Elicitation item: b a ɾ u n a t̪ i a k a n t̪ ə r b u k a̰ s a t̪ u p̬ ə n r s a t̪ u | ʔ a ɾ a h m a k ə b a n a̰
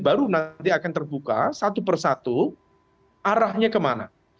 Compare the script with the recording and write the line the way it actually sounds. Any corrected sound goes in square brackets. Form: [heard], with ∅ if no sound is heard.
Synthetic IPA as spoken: b a ɾ u n a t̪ i a k a n t̪ ə r b u k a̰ s a t̪ u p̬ ə [∅] r s a t̪ u | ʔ a ɾ a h [ɲ] a k ə [m] a n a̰